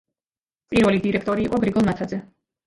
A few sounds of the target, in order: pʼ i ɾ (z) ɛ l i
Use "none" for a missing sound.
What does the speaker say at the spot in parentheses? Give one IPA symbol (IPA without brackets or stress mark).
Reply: v